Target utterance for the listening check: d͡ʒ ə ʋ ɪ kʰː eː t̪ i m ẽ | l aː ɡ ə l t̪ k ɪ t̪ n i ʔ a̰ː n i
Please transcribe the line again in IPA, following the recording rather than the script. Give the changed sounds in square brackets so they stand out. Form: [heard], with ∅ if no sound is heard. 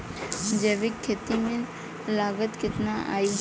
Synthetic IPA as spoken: d͡ʒ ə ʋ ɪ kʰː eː t̪ i m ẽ | l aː ɡ ə [∅] t̪ k ɪ t̪ n [a] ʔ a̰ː [∅] i

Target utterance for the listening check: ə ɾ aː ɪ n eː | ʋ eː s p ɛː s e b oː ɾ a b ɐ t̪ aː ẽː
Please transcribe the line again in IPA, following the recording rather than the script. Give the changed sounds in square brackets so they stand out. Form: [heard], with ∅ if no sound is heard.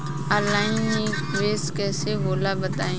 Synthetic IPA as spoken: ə [l] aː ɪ n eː | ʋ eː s [k] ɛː s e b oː [l] a b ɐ t̪ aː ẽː

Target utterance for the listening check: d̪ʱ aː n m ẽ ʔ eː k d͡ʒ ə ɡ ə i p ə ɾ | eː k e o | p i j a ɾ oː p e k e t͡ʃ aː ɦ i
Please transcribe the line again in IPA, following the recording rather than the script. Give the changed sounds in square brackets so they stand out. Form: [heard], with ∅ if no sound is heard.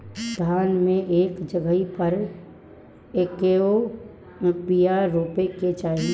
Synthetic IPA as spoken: d̪ʱ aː n m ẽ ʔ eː k d͡ʒ ə ɡ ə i p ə ɾ | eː k e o | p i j a ɾ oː p e k e t͡ʃ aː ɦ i

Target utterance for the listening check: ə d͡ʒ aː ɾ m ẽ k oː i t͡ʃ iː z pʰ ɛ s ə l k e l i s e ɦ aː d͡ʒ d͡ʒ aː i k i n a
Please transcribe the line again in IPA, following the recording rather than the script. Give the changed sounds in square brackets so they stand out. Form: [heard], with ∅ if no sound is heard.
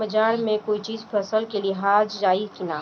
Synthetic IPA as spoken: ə d͡ʒ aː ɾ m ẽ k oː i t͡ʃ iː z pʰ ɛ s ə l k e l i [∅] e ɦ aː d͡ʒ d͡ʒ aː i k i n a

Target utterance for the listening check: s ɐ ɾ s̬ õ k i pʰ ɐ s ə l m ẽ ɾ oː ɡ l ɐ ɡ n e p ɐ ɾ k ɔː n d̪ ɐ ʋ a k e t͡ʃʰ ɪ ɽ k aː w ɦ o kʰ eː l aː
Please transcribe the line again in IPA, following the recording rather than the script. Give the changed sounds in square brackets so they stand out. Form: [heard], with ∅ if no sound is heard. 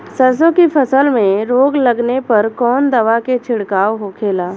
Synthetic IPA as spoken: s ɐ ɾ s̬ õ k i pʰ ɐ s ə l m ẽ ɾ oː ɡ l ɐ ɡ n e p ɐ ɾ k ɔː n d̪ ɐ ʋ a k e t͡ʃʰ ɪ ɽ k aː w ɦ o kʰ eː l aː

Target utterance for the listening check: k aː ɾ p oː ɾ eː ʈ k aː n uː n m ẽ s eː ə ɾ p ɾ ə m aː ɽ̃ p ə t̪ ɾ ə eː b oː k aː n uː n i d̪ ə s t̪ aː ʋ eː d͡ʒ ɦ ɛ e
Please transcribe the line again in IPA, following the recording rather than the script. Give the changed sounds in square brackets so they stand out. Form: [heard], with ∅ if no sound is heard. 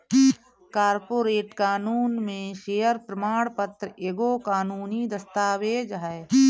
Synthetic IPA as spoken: k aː ɾ p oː ɾ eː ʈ k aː n uː n m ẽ [ʃ] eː ə ɾ p ɾ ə m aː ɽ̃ p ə t̪ ɾ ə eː [ɡ] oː k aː n uː n i d̪ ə s t̪ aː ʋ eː d͡ʒ ɦ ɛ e

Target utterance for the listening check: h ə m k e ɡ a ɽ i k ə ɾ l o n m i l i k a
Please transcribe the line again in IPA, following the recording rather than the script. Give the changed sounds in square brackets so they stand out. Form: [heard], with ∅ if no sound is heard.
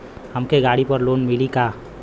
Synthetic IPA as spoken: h ə m k e ɡ a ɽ i [p] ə ɾ l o n m i l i k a

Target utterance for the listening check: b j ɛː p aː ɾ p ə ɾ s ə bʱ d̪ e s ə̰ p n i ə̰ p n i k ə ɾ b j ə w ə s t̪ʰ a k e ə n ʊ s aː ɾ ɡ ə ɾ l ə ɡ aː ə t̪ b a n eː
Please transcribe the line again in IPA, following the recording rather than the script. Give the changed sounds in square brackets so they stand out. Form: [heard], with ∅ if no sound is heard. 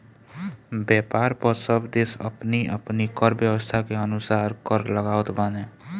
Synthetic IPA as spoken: b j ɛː p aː ɾ p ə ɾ s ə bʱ d̪ e s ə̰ p n i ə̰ p n i k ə ɾ b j ə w ə s t̪ʰ a k e ə n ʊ s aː ɾ [k] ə ɾ l ə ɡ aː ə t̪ b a n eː

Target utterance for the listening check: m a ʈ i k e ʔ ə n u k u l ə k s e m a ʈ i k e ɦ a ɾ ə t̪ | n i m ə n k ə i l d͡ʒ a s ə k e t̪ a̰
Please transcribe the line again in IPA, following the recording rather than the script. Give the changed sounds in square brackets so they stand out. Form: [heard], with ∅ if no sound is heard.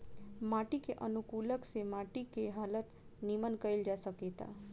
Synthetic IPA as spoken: m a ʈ i k e ʔ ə n u k u l ə k s e m a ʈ i k e ɦ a [l] ə t̪ | n i m ə n k ə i l d͡ʒ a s ə k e t̪ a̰

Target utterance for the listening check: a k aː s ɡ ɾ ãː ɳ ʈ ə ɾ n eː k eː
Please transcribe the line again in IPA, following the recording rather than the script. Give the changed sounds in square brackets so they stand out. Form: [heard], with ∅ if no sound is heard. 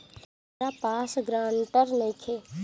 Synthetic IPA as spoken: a [p] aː s ɡ ɾ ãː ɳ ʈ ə ɾ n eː [kʰ] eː

